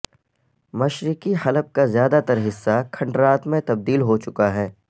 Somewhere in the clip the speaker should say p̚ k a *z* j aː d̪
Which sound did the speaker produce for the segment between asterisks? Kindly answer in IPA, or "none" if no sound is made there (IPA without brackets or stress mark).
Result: z